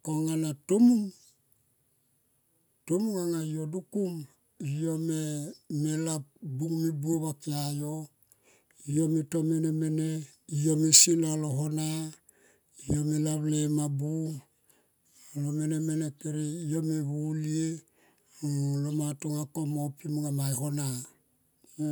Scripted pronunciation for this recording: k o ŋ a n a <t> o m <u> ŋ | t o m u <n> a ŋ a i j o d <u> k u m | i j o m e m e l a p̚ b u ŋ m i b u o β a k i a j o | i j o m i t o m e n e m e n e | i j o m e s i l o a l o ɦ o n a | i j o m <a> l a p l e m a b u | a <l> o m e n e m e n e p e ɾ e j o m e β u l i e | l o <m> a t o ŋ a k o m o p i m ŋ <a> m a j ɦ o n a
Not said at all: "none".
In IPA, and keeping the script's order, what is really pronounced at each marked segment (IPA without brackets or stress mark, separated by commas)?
t, u, ŋ, u, e, l, m, a